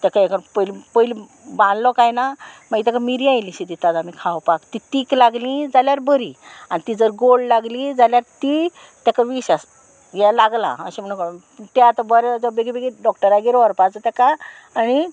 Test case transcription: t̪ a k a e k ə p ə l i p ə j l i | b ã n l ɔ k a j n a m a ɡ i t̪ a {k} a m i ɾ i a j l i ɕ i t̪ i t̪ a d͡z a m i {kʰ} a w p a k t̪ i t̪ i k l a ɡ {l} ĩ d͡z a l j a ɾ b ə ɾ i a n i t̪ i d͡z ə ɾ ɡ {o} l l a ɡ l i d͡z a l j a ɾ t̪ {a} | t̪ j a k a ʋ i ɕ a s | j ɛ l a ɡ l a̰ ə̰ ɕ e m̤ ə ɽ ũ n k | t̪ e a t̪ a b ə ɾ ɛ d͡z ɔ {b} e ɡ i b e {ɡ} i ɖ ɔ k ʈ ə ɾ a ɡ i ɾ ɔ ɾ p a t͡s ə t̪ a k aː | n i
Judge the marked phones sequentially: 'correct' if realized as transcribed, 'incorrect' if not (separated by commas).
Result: correct, correct, correct, correct, incorrect, correct, correct